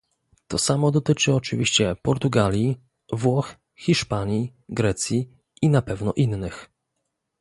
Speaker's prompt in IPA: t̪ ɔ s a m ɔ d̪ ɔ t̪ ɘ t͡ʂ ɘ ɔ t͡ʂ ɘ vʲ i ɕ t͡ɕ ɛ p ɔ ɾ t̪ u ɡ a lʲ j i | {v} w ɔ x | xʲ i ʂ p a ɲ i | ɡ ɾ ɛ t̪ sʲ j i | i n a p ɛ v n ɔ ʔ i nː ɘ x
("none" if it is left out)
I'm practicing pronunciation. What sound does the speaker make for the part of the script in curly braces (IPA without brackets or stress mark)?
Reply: v